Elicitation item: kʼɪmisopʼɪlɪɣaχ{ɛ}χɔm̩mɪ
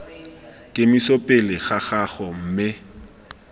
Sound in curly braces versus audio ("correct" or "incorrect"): incorrect